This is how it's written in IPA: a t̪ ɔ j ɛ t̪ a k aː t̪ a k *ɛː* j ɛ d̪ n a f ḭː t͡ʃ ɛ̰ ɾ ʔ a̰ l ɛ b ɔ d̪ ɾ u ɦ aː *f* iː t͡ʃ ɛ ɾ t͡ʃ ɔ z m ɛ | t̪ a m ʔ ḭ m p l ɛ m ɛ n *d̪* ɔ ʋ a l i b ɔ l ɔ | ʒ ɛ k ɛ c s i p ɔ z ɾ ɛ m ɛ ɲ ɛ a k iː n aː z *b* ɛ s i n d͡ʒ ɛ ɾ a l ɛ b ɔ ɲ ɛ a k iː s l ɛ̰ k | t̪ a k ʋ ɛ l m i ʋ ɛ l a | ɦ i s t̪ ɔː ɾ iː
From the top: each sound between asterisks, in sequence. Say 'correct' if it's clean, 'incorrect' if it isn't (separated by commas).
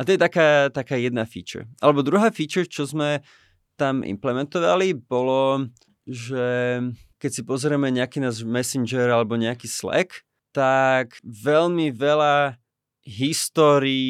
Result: incorrect, correct, incorrect, incorrect